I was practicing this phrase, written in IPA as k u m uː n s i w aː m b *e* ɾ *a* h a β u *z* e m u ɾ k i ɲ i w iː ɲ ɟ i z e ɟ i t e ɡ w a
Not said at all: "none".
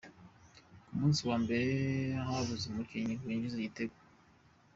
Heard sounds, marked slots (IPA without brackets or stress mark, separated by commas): e, e, z